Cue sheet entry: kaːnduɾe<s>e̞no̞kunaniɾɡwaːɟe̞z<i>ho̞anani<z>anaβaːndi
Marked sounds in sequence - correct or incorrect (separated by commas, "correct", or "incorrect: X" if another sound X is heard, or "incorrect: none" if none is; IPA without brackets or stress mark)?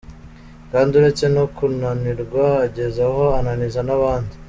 incorrect: t͡s, incorrect: a, correct